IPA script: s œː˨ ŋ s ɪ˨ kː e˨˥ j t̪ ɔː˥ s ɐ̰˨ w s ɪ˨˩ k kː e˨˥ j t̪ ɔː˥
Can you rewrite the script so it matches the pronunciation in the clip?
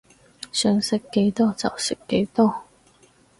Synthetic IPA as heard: s œː˨ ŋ s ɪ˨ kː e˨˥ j t̪ ɔː˥ t͡s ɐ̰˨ w s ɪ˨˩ k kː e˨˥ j t̪ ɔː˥